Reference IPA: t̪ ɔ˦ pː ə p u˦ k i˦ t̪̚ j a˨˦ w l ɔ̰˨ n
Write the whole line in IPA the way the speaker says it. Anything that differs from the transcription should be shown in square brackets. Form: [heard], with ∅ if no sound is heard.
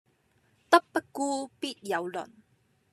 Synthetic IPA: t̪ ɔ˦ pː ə [k] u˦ [p] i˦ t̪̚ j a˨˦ w l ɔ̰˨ n